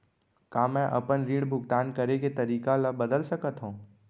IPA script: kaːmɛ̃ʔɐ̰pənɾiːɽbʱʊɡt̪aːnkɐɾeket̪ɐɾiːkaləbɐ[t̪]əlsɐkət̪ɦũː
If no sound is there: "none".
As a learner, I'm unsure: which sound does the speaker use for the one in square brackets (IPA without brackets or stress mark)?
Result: d̪